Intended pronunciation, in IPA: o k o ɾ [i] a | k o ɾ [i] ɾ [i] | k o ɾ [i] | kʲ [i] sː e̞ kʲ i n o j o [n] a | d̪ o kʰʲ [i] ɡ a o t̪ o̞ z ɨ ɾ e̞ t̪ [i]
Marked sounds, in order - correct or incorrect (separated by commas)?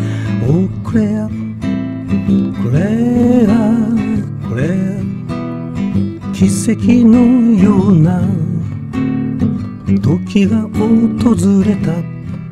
incorrect, incorrect, incorrect, incorrect, correct, correct, correct, incorrect